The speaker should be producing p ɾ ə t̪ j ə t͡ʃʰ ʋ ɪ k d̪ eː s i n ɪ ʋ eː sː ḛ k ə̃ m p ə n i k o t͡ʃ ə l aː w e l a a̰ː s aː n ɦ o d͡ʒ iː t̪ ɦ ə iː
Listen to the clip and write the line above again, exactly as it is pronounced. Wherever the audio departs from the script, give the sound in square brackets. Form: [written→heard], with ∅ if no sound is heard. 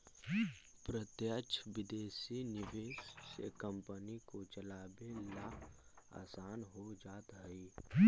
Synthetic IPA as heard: p ɾ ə t̪ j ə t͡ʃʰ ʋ ɪ [k→∅] d̪ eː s i n ɪ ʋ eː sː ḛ k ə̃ m p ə n i k o t͡ʃ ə l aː [w→b] e l a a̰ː s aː n ɦ o d͡ʒ [iː→aː] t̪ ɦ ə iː